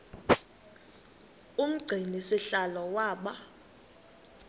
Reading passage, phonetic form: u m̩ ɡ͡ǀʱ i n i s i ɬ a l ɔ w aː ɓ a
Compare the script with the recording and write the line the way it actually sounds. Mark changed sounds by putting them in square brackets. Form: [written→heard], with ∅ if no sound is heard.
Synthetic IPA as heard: u m̩ ɡ͡ǀʱ i n i s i ɬ a l ɔ w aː ɓ a